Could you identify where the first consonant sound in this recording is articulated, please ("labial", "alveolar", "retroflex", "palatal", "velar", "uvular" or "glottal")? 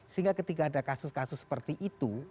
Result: alveolar